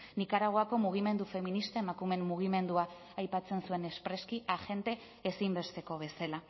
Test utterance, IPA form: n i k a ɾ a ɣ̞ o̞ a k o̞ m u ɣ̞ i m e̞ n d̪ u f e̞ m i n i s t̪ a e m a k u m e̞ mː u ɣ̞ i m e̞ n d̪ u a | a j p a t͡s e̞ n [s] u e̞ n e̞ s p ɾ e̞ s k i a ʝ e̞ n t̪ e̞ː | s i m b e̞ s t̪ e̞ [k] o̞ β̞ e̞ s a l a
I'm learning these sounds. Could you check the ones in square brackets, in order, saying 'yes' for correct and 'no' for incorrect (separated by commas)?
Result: yes, yes